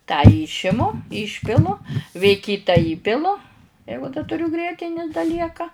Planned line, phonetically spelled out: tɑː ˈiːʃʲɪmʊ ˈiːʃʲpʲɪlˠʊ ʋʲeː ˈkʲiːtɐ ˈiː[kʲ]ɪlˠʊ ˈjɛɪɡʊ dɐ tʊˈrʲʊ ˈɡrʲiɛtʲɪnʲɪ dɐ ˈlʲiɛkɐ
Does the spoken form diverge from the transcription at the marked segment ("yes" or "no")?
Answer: yes